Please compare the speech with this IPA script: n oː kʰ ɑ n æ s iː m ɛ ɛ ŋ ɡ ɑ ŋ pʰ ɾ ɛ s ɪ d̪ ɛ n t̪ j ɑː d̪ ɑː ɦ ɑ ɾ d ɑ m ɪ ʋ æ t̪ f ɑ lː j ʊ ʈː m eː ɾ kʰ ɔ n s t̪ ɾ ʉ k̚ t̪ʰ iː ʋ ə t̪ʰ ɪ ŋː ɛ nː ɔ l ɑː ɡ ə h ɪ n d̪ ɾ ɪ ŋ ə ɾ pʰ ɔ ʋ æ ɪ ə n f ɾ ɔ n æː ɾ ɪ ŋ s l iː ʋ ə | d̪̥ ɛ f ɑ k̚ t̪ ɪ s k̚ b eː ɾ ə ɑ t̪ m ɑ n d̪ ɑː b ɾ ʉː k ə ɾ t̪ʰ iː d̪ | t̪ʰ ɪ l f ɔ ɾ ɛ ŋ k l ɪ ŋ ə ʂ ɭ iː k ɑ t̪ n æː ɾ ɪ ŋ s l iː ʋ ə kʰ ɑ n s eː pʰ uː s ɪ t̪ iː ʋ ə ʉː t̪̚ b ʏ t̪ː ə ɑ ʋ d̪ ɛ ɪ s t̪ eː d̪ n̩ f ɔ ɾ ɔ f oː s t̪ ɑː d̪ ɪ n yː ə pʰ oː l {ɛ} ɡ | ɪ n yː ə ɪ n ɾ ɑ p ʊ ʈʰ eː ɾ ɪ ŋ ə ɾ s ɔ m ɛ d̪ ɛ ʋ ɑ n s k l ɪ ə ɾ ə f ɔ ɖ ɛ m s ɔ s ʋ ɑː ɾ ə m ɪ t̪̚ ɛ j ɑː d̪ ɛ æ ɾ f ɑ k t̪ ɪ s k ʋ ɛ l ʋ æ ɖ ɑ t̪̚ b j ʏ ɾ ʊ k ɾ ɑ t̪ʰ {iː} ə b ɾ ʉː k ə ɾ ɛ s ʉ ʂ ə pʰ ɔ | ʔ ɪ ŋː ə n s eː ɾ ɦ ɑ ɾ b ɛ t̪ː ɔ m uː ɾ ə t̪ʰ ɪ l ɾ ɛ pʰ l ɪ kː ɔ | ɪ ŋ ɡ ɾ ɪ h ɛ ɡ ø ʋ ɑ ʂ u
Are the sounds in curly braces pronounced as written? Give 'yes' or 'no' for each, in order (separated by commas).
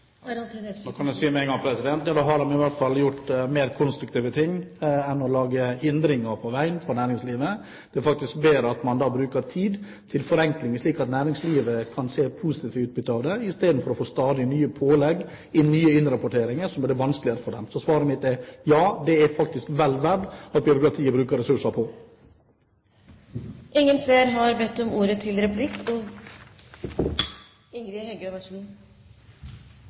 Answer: yes, yes